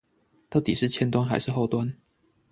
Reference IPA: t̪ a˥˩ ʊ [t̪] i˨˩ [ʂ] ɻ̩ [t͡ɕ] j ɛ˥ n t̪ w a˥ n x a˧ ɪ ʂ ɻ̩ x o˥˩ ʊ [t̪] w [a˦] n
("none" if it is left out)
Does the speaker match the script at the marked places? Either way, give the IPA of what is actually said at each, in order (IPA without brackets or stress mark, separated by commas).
t̪, ʂ, t͡ɕʰ, t̪, a˦